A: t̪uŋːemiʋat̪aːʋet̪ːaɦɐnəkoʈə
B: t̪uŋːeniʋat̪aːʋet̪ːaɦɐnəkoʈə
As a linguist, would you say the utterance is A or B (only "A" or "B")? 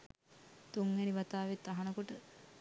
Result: B